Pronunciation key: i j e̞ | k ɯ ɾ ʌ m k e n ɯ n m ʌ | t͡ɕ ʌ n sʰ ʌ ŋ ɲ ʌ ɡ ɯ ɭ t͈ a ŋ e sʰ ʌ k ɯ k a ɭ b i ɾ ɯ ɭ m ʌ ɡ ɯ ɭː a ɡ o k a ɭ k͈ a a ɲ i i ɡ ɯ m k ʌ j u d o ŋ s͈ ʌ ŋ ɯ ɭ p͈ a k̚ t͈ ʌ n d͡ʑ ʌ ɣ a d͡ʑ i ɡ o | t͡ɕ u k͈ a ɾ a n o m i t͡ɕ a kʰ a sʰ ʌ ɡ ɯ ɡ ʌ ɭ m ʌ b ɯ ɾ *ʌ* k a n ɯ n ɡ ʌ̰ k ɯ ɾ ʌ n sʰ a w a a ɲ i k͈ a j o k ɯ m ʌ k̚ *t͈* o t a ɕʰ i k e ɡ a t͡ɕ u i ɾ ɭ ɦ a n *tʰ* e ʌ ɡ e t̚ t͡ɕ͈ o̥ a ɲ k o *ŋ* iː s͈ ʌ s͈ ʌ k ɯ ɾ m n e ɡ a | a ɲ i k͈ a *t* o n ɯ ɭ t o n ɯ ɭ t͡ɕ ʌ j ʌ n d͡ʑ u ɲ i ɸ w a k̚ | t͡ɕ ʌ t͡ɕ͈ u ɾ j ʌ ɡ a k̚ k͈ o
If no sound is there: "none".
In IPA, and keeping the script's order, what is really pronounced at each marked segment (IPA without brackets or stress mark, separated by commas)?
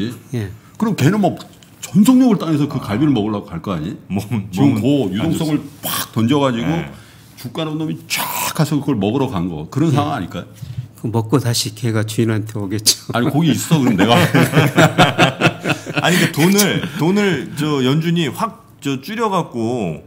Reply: ʌ, k͈, tʰ, ɡ, t